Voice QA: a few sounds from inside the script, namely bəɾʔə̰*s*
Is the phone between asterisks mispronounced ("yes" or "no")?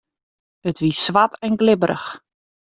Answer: yes